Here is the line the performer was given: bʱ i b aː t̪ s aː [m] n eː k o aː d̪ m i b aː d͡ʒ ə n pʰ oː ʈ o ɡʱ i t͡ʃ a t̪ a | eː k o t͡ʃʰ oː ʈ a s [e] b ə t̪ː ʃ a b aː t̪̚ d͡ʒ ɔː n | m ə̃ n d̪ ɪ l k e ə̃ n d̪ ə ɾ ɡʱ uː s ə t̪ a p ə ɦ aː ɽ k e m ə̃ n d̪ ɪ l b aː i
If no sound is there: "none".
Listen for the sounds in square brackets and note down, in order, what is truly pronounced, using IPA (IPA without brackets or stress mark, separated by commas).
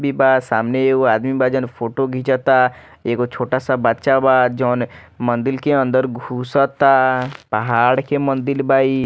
m, a